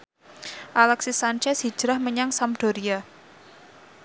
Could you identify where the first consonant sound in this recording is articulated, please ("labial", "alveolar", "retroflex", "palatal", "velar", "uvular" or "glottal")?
glottal